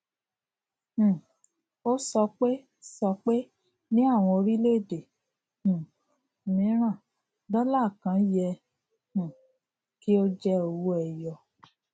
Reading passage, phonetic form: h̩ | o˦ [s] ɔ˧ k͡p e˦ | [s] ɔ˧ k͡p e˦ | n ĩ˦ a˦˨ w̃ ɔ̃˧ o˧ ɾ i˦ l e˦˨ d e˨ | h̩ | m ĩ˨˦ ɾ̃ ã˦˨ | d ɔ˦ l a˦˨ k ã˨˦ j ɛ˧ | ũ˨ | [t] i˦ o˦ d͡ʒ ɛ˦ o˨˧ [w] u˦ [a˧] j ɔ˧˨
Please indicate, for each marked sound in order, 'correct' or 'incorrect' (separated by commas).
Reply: correct, correct, incorrect, correct, incorrect